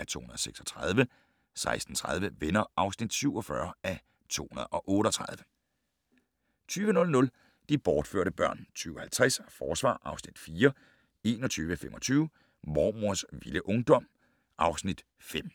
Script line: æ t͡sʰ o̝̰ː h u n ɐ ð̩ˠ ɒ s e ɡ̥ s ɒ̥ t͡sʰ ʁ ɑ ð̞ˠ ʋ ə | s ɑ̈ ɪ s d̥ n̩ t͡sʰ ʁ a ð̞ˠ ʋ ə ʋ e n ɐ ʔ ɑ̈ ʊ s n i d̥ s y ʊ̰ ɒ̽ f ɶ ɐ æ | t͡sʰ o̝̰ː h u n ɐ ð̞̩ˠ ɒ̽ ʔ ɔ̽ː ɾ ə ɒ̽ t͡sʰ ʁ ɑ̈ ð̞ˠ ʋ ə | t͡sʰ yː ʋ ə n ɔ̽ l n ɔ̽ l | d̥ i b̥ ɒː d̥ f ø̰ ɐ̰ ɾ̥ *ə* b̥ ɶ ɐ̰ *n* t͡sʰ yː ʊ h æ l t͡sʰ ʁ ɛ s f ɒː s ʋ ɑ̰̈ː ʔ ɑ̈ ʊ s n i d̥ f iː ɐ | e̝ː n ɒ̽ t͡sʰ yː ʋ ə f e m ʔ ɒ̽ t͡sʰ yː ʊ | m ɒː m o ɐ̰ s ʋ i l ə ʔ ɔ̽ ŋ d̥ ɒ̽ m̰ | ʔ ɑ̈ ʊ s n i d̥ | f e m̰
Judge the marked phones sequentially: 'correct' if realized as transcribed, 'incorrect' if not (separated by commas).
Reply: correct, correct